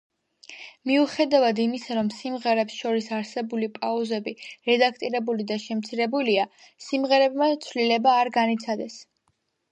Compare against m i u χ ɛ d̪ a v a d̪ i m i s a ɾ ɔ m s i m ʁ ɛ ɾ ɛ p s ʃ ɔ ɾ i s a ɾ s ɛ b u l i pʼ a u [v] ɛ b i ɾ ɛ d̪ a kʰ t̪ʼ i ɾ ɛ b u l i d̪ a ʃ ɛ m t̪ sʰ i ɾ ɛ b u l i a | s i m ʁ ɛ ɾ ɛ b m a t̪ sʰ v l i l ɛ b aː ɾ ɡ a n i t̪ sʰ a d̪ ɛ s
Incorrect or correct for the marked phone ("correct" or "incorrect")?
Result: incorrect